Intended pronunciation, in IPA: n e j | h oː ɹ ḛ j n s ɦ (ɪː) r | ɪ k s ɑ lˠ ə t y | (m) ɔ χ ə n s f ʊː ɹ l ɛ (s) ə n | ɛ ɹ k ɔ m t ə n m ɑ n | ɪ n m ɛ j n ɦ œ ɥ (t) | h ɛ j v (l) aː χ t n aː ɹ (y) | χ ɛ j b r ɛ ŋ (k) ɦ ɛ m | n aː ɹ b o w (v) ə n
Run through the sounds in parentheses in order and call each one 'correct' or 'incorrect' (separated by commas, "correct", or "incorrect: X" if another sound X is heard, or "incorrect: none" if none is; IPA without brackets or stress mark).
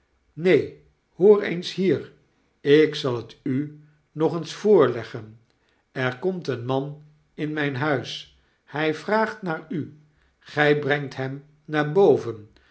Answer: incorrect: iː, incorrect: n, incorrect: χ, incorrect: s, incorrect: r, correct, incorrect: t, correct